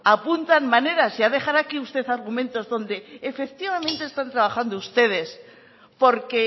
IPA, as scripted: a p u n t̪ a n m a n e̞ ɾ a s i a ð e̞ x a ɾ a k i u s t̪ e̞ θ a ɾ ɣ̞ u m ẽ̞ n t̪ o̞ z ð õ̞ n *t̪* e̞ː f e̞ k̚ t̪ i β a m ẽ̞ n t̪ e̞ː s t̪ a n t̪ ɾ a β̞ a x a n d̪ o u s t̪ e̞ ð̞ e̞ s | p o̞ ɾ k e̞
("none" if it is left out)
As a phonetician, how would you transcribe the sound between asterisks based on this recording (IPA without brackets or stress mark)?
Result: d̪